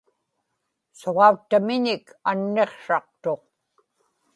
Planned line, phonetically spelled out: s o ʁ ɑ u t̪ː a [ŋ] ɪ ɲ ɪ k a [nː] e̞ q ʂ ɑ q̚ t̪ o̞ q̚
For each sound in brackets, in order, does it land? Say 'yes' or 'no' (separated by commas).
no, yes